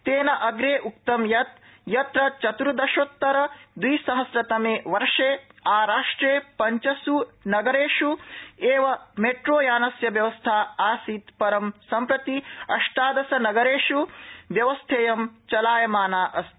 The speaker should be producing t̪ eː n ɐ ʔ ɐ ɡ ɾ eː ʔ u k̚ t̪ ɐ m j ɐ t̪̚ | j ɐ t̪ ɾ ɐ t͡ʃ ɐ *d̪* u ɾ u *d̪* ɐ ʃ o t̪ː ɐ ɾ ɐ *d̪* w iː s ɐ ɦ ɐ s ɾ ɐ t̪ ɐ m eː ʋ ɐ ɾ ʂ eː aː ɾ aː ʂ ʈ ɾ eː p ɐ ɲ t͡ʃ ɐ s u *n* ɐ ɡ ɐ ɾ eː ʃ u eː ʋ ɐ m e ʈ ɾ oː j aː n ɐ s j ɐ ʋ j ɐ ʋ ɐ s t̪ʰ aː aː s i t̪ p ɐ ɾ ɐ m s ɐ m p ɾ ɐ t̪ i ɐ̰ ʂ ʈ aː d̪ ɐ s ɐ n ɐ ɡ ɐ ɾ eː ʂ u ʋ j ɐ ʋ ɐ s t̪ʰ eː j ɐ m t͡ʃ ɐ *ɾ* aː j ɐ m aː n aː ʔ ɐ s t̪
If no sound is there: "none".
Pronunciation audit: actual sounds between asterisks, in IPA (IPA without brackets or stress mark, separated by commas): t̪, d̪, d̪, n, l